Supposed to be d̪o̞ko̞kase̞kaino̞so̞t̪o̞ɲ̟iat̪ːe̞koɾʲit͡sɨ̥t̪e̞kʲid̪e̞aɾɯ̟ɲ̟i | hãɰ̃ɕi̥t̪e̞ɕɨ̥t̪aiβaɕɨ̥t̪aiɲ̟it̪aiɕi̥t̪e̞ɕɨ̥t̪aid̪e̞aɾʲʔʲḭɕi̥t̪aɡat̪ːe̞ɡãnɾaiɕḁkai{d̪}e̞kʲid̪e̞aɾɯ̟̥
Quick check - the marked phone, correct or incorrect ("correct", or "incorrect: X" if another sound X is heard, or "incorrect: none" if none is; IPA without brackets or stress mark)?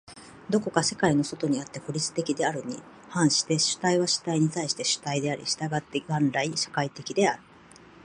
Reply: incorrect: t̪